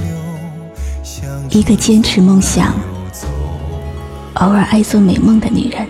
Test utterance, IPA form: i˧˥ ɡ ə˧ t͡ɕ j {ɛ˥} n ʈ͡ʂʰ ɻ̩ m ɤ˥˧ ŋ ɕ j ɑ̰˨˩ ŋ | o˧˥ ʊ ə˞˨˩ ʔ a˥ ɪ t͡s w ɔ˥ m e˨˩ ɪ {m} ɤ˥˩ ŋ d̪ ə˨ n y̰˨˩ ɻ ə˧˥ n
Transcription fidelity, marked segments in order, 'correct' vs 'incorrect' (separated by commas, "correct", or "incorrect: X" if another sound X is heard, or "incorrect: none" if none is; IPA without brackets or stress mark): correct, correct